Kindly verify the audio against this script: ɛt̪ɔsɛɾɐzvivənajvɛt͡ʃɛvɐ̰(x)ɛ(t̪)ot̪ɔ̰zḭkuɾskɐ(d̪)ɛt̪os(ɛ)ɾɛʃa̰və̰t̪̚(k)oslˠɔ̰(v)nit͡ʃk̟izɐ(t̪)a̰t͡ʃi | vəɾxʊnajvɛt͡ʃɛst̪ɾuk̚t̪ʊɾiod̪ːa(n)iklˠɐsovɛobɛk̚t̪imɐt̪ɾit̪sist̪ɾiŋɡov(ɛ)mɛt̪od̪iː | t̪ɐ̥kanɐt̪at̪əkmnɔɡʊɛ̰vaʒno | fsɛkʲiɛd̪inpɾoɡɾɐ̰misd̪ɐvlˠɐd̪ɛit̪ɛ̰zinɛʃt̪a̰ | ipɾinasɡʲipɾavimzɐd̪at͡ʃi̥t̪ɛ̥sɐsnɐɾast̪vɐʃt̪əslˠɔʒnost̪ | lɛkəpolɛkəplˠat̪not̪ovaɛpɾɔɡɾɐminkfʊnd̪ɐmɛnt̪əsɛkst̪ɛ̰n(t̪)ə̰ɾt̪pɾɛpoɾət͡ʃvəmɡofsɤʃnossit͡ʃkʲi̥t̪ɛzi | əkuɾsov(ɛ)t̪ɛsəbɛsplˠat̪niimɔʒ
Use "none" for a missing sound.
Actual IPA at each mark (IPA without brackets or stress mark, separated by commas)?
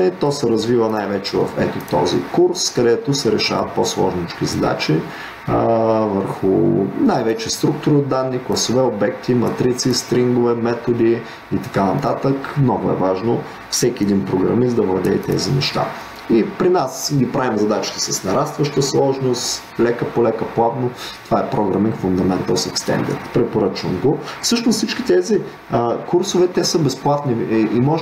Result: f, t̪, d̪, ɛ, p, ʒ, d̪, nː, ɛ, d̪, ɛ